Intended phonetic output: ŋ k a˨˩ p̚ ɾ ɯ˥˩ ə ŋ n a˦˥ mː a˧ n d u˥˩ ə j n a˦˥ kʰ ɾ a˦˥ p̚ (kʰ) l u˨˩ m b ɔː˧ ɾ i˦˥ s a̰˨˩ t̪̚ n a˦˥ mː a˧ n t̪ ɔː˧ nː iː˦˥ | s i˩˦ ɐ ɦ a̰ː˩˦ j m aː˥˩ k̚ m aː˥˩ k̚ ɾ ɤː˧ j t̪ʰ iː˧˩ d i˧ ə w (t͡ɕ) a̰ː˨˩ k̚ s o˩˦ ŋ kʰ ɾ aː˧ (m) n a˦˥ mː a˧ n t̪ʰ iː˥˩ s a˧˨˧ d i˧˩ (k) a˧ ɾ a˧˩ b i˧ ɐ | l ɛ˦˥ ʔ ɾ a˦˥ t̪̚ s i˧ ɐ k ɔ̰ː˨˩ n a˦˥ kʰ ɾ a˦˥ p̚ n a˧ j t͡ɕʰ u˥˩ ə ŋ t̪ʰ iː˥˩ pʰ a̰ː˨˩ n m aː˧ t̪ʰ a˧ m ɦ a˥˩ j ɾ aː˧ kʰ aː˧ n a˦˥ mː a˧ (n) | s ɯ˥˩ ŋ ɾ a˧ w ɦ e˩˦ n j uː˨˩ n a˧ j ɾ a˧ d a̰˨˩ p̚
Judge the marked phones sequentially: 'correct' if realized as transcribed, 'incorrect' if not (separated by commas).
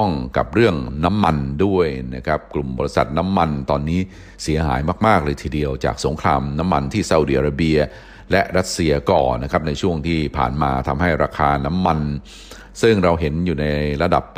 incorrect, correct, correct, incorrect, correct